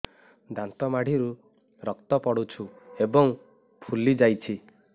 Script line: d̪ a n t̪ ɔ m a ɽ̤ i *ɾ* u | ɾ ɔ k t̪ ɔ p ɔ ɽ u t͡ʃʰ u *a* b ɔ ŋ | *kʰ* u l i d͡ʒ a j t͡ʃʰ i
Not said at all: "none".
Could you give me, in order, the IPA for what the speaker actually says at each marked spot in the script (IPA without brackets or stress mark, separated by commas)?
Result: ɾ, e, pʰ